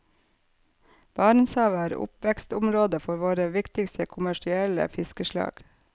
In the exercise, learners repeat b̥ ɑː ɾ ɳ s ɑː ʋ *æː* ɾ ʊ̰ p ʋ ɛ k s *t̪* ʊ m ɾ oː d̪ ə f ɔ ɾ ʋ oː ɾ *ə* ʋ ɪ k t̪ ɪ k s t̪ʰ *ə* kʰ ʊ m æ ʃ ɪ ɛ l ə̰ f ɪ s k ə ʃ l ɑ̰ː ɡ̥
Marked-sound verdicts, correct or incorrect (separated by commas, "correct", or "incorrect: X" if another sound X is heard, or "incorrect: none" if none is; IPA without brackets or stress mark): correct, correct, correct, correct